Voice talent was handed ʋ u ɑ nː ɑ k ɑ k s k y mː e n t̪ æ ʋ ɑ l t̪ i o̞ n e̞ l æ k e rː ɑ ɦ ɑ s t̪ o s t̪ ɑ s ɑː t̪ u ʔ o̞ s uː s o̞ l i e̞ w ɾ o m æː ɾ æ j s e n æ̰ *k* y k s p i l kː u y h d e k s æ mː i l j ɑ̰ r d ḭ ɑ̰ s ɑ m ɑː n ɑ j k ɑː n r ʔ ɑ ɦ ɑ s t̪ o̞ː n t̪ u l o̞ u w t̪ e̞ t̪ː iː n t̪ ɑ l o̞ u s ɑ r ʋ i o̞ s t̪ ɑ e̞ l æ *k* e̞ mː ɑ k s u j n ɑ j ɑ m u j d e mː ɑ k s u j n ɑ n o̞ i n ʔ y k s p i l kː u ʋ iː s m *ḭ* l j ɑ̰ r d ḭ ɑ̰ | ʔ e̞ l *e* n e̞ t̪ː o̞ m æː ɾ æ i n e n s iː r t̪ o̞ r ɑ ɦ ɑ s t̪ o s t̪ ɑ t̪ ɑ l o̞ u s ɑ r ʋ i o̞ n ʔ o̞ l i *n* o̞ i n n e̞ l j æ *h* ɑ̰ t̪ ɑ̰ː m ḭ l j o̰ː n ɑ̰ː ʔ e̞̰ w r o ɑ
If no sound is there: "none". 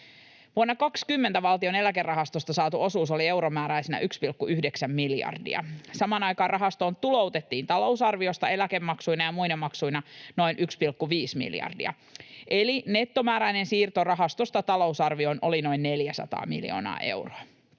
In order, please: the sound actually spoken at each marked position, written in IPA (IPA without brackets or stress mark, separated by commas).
ʔ, k, ḭ, i, n, s